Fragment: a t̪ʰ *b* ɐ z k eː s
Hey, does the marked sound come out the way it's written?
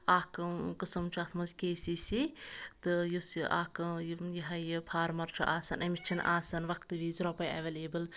no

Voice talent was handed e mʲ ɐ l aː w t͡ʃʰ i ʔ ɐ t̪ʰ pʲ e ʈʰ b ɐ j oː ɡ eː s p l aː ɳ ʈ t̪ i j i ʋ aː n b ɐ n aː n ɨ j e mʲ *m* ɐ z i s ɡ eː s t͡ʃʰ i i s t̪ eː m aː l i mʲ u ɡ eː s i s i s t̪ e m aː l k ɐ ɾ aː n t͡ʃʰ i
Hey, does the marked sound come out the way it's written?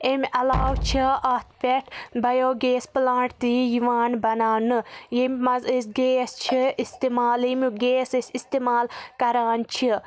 yes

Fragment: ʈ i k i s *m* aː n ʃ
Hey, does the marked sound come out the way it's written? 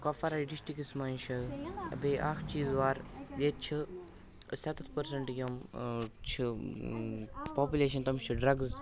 yes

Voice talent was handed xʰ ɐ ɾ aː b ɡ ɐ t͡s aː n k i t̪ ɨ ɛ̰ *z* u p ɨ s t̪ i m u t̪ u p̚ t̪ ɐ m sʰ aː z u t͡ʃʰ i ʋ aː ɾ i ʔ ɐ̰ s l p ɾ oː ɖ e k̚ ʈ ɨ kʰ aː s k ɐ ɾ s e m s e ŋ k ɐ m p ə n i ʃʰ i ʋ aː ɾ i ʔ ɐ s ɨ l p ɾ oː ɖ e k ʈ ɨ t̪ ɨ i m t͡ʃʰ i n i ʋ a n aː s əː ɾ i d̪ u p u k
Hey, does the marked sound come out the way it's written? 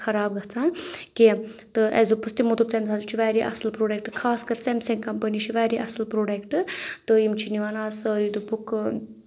yes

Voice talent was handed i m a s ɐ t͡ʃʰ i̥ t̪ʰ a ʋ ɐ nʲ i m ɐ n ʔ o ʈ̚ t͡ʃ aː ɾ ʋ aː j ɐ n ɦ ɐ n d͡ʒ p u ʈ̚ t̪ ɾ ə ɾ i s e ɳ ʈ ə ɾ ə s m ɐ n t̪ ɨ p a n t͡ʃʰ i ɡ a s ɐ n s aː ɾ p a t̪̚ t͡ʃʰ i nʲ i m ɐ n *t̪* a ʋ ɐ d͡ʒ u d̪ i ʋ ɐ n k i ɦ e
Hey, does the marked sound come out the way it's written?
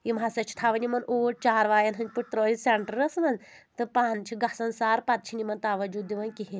yes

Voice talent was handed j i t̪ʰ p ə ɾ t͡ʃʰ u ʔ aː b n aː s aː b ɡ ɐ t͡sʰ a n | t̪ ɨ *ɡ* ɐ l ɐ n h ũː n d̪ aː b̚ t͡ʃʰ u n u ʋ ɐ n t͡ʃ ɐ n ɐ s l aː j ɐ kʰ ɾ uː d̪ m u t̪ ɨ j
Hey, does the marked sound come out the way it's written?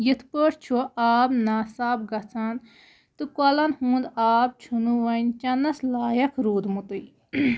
no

